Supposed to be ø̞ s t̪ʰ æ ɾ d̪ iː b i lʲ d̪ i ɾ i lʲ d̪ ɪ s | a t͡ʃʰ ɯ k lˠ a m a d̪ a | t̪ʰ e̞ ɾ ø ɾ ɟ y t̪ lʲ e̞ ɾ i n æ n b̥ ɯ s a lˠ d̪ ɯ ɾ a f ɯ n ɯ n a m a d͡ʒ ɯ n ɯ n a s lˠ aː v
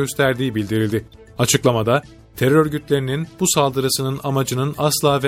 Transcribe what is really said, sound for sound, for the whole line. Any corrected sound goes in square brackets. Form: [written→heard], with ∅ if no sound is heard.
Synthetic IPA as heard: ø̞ s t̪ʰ æ ɾ d̪ iː b i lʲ d̪ i ɾ i lʲ d̪ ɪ [s→∅] | a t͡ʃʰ ɯ k lˠ a m a d̪ a | t̪ʰ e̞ ɾ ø ɾ ɟ y t̪ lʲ e̞ ɾ i n [æ→i] n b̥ [ɯ→u] s a lˠ d̪ ɯ ɾ a [f→s] ɯ n ɯ n a m a d͡ʒ ɯ n ɯ n a s lˠ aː v